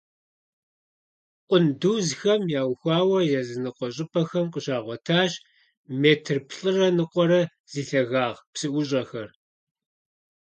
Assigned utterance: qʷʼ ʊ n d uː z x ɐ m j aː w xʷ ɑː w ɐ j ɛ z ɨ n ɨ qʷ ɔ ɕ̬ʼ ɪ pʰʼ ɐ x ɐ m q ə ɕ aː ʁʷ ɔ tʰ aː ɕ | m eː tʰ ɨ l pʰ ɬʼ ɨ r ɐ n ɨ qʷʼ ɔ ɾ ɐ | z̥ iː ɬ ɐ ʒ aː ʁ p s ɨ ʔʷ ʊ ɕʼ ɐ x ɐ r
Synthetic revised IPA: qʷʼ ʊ n d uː z x ɐ m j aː w xʷ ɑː w ɐ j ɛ z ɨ n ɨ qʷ ɔ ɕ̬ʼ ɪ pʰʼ ɐ x ɐ m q ə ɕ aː ʁʷ ɔ tʰ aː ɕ | m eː tʰ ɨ r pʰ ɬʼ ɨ r ɐ n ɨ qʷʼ ɔ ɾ ɐ | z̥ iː ɬ ɐ ɣ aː ʁ p s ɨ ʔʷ ʊ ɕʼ ɐ x ɐ r